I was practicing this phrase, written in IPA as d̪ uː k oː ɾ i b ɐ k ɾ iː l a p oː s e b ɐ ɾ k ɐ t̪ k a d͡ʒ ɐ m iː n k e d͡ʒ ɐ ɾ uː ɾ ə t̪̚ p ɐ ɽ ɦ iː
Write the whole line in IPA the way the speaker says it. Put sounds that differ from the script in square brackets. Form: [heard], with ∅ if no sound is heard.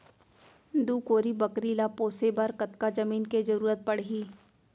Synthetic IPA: d̪ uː k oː ɾ i b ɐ k ɾ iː l a p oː s e b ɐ ɾ k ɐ t̪ k a d͡ʒ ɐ m iː n k e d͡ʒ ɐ ɾ uː ɾ ə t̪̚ p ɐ ɽ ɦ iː